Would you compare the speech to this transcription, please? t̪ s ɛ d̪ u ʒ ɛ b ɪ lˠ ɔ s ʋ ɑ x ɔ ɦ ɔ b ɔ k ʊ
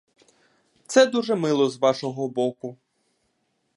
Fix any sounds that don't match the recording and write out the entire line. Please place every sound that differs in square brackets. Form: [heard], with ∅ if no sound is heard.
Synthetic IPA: t̪ s ɛ d̪ u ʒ ɛ [m] ɪ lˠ ɔ [z] ʋ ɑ [ʃ] ɔ ɦ ɔ b ɔ k ʊ